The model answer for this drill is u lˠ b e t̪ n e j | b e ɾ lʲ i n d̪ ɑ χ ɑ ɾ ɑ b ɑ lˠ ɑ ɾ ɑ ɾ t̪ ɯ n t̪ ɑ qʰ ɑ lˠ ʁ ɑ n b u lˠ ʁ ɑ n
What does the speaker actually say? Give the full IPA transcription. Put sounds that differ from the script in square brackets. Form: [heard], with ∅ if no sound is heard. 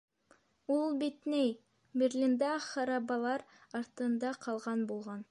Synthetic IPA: u lˠ b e t̪ n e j | b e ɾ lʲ i n d̪ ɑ χ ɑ ɾ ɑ b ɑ lˠ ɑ ɾ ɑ ɾ t̪ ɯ n [d̪] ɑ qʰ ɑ lˠ ʁ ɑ n b [o] lˠ ʁ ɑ n